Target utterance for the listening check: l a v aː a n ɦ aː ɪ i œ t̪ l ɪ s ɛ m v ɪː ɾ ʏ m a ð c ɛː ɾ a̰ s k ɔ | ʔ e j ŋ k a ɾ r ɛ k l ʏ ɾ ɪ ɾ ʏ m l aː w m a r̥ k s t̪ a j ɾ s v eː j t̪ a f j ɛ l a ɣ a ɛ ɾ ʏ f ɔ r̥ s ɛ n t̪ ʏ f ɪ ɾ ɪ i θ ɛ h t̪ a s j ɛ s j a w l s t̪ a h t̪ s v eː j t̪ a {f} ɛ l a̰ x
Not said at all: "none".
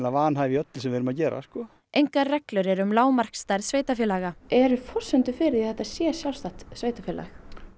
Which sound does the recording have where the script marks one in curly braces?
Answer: f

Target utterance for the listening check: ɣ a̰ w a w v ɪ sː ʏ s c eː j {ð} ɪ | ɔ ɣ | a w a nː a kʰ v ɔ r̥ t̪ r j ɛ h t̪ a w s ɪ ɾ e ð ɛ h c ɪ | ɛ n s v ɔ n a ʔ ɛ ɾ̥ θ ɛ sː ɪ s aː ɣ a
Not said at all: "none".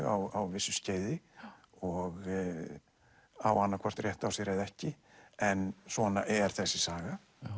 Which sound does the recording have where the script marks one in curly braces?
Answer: ð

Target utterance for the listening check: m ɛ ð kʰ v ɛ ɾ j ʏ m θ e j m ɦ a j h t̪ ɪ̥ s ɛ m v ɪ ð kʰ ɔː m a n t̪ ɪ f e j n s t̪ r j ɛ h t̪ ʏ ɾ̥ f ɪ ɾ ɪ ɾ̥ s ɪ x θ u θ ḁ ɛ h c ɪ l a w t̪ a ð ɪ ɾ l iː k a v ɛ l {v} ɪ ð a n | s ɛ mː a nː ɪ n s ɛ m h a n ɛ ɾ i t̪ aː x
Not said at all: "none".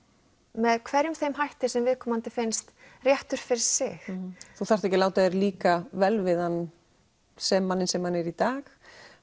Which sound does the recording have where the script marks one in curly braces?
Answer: v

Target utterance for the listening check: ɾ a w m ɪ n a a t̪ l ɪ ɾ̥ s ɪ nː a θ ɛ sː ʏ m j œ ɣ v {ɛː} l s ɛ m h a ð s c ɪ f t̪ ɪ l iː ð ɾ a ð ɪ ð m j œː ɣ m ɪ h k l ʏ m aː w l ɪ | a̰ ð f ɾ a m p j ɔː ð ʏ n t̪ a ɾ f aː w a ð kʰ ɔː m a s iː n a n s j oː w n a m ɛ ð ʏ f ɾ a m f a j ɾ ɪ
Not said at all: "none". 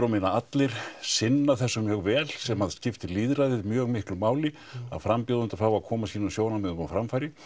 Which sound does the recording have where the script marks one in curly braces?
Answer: ɛː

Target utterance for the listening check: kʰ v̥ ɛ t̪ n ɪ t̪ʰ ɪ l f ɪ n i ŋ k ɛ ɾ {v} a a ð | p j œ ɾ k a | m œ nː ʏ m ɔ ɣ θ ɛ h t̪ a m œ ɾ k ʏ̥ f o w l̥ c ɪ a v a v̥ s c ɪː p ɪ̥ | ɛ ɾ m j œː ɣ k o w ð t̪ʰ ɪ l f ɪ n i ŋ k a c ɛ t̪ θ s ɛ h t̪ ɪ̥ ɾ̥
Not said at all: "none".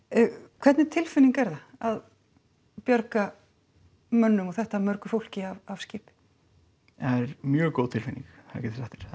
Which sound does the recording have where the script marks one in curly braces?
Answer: ð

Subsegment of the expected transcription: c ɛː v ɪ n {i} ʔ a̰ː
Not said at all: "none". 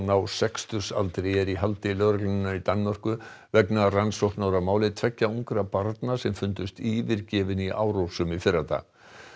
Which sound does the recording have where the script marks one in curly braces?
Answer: i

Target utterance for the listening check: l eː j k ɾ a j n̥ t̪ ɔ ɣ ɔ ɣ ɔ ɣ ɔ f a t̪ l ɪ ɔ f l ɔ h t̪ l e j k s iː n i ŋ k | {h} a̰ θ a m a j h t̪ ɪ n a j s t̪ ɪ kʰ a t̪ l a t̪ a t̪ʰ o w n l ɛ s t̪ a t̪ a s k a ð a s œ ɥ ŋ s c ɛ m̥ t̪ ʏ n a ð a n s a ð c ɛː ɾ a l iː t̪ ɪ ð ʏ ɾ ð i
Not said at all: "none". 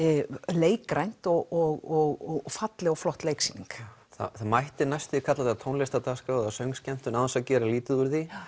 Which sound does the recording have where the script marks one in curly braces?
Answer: θ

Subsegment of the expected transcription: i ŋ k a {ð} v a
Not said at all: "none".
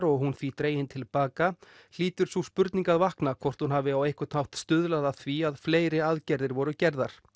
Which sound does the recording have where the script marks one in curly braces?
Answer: ð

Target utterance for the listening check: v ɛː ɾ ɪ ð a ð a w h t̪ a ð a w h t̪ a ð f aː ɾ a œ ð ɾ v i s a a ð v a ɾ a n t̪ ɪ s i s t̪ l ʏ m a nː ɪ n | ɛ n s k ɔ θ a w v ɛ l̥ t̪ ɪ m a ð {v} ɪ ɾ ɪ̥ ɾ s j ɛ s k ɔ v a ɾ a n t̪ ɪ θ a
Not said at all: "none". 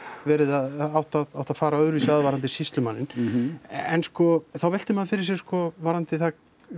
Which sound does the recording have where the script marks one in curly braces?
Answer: f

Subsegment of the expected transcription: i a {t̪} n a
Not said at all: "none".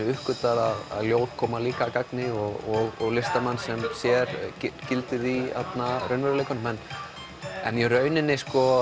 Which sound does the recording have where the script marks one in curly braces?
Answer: t̪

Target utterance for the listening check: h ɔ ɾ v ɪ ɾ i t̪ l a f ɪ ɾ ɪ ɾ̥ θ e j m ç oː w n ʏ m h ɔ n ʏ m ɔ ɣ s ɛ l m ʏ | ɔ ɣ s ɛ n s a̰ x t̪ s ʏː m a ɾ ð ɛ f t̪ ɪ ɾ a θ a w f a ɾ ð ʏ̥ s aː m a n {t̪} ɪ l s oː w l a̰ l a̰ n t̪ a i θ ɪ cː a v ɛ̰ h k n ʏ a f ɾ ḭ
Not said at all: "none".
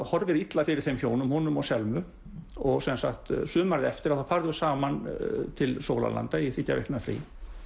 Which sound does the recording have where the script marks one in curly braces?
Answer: t̪ʰ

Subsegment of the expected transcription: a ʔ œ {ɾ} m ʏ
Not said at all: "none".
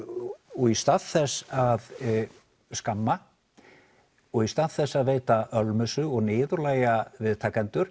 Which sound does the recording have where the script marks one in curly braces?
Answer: l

